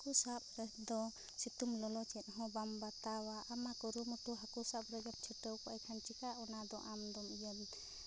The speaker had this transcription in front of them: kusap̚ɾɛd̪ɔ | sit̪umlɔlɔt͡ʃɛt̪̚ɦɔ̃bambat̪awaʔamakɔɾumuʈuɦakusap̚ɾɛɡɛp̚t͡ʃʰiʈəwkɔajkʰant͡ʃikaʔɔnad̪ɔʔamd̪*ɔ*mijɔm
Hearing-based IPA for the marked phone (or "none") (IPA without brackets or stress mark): ɔ